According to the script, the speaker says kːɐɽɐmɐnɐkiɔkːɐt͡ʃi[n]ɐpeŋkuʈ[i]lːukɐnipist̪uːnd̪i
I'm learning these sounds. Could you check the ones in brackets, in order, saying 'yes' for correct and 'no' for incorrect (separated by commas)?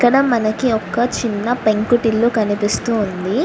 no, yes